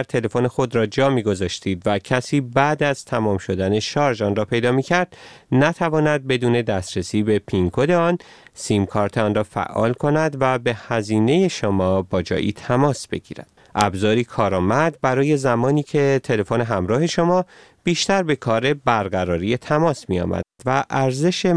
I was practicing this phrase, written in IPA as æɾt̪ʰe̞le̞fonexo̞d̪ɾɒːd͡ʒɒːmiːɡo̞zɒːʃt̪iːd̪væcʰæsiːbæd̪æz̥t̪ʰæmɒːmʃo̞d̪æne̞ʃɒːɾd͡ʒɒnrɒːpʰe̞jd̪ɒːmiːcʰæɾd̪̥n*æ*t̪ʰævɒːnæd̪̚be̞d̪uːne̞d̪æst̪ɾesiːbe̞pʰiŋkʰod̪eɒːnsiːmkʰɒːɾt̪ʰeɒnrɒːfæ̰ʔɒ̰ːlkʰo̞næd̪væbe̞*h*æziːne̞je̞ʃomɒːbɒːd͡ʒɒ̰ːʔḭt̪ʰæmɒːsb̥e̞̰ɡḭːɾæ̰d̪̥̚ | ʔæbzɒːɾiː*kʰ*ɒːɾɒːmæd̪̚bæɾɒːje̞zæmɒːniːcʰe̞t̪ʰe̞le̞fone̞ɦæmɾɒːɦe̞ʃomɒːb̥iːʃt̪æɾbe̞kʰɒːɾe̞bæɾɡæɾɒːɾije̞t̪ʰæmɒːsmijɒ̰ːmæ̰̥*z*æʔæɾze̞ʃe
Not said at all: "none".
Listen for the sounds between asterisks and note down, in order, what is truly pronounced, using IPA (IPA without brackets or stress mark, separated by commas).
æ, h, kʰ, v